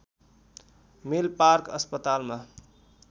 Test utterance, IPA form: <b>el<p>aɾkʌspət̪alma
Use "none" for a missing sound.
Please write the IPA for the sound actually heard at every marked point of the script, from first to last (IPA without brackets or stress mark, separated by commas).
m, p